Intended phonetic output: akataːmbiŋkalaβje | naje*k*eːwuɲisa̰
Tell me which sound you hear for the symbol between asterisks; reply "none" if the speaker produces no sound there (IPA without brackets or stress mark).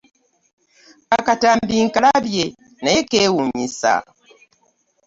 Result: k